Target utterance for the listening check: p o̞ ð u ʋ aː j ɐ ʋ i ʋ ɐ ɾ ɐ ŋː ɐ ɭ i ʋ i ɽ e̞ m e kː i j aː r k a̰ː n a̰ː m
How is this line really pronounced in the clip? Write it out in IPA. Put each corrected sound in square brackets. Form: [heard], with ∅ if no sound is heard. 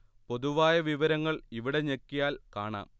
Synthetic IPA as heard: p o̞ ð u ʋ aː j ɐ ʋ i ʋ ɐ ɾ ɐ ŋː ɐ ɭ i ʋ i ɽ e̞ [ɲ] e kː i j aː [l] k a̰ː [ɳ] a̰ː m

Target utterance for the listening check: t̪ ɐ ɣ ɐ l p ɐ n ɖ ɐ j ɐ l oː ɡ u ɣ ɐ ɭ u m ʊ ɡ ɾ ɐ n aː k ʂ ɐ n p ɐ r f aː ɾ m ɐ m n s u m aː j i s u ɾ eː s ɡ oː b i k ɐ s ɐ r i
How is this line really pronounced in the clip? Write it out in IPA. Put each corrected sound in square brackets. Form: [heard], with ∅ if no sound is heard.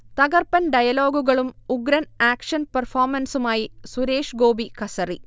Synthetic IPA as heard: t̪ ɐ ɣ ɐ [r] p ɐ n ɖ ɐ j ɐ l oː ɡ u ɣ ɐ ɭ u m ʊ ɡ ɾ ɐ n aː k ʂ ɐ n p ɐ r f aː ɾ m ɐ [∅] n s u m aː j i s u ɾ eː [ʂ] ɡ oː b i k ɐ s ɐ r i

